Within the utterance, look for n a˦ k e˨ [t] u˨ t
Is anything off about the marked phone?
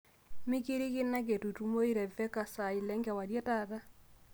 no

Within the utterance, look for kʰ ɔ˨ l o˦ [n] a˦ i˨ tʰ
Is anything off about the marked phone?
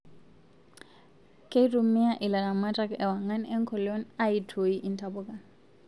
no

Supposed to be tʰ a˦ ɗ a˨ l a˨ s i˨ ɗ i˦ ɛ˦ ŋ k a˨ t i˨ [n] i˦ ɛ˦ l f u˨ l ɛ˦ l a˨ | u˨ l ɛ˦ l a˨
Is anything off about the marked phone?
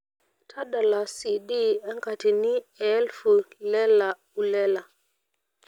no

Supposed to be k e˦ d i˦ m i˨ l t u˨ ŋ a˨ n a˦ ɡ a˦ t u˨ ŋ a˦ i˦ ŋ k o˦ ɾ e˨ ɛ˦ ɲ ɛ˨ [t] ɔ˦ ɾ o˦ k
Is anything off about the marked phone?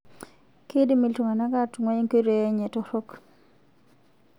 no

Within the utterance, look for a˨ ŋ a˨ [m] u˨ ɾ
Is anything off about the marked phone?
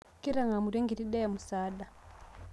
no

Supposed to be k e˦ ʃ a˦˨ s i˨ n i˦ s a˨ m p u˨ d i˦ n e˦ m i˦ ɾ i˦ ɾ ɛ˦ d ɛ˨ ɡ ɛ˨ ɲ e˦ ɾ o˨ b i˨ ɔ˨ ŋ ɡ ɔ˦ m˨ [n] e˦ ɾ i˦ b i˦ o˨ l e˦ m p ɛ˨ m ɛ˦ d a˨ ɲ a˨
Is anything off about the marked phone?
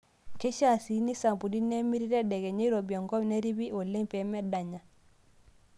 no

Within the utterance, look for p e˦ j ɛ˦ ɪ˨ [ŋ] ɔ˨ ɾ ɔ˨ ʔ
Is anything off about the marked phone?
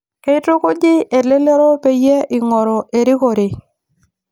no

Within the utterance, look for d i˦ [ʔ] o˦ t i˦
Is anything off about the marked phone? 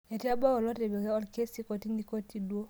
yes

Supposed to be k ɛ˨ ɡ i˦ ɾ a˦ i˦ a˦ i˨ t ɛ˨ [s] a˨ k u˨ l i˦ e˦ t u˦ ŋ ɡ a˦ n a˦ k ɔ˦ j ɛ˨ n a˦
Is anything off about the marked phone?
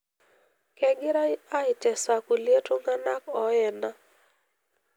no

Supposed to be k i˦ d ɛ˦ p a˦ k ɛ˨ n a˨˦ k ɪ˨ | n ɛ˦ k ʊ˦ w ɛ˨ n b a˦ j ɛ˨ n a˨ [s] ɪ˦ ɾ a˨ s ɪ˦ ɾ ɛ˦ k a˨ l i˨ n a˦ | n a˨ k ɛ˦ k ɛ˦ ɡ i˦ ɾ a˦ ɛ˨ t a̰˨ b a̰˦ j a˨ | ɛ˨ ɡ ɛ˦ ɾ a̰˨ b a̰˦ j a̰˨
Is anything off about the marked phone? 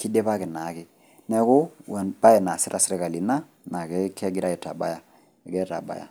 no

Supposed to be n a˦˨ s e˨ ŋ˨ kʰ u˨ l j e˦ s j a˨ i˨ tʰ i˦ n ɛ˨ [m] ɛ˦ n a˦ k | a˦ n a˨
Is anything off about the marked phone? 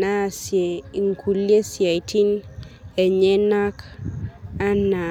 yes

